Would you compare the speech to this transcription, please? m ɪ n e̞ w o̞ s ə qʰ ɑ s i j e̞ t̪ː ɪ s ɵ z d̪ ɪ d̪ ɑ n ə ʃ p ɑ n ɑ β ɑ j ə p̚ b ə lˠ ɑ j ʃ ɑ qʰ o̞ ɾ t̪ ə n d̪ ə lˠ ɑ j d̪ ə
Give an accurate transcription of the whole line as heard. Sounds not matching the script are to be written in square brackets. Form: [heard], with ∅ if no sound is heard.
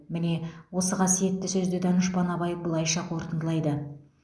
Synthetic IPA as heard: m ɪ n e̞ w o̞ s ə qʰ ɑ s i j e̞ t̪ː ɪ s ɵ z d̪ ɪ d̪ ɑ n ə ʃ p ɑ n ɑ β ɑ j ə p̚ b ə lˠ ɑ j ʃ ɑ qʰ o̞ ɾ t̪ ə n d̪ ə lˠ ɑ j d̪ ə